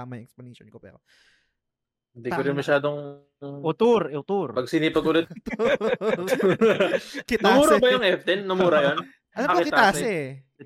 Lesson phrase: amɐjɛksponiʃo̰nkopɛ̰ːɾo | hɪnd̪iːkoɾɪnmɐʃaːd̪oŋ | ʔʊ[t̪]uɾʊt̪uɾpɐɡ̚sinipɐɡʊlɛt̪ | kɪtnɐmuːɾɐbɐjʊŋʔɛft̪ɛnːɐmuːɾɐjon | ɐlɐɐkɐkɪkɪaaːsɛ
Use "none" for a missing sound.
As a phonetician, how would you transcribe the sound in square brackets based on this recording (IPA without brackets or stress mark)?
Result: t̪